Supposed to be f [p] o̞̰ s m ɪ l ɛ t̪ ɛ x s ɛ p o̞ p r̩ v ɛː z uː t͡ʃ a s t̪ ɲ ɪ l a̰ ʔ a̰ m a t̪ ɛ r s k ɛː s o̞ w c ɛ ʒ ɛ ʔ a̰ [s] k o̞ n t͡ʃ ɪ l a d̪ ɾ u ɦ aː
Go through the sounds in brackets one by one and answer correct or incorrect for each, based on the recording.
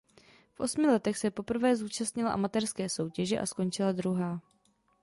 incorrect: ʔ, correct

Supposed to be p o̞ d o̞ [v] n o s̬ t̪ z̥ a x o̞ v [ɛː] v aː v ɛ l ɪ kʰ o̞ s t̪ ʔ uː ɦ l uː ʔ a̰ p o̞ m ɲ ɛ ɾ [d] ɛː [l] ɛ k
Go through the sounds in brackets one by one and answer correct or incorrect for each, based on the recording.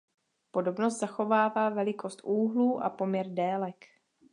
incorrect: b, incorrect: aː, correct, correct

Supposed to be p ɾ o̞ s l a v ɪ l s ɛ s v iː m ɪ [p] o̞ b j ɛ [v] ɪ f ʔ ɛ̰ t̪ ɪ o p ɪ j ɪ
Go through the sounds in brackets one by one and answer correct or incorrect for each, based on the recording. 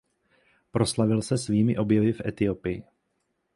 incorrect: ʔ, correct

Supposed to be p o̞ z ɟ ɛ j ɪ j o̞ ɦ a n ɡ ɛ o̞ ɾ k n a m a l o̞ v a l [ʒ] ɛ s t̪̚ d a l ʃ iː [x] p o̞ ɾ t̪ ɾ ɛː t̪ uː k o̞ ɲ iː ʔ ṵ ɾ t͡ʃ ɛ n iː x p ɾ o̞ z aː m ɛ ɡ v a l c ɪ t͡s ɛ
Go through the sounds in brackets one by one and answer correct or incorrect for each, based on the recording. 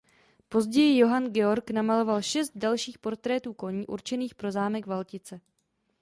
incorrect: ʃ, correct

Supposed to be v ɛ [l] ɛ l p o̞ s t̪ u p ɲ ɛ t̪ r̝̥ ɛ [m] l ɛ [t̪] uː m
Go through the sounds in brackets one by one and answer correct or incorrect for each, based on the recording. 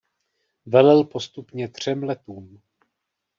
correct, correct, correct

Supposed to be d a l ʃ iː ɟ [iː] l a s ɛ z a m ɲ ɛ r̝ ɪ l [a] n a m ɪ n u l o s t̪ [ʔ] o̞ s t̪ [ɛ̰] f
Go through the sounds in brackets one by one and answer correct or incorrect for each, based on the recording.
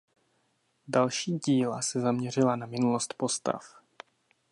correct, correct, incorrect: p, incorrect: a̰

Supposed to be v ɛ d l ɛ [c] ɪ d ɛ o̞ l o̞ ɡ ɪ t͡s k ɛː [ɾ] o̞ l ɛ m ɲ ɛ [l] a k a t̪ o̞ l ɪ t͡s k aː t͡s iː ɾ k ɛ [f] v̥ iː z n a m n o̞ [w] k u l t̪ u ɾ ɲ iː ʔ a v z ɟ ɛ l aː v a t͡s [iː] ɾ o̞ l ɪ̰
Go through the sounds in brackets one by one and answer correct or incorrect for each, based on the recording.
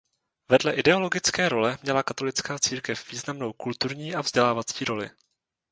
incorrect: ʔ, correct, correct, correct, correct, correct

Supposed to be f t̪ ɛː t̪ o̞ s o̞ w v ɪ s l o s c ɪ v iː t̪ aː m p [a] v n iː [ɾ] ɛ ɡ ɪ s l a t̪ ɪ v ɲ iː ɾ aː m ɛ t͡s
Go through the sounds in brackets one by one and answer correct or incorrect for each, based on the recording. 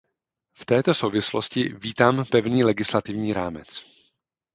incorrect: ɛ, incorrect: l

